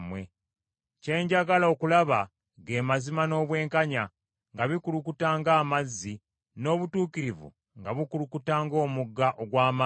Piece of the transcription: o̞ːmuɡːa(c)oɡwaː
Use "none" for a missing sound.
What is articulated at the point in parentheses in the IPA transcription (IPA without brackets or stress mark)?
ʔ